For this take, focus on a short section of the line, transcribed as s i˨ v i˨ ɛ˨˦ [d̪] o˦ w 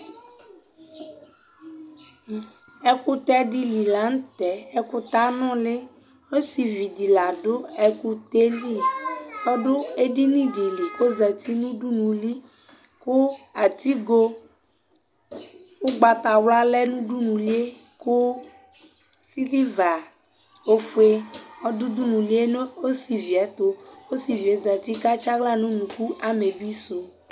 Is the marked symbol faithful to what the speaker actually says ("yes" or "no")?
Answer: no